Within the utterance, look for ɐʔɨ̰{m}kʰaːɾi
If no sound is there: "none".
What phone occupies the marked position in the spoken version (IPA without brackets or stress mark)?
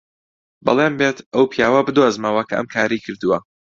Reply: m